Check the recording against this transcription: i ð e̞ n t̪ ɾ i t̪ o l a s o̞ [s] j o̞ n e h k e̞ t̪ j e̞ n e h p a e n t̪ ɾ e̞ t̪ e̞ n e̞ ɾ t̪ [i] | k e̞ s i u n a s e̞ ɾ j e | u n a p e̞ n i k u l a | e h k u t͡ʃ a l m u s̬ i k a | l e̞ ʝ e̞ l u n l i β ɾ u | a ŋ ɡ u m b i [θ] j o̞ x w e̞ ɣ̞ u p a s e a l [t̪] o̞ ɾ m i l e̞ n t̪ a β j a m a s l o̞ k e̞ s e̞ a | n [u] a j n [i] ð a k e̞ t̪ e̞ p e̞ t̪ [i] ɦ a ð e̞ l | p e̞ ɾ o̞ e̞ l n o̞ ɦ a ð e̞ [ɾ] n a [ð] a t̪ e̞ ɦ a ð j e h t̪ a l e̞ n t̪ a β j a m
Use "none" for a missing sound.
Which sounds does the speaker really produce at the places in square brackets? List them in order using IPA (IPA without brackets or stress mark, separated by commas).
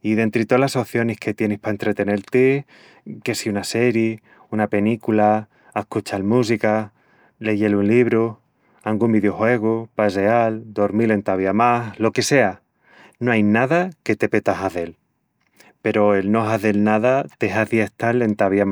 θ, e, ð, d̪, o, a, a, l, ð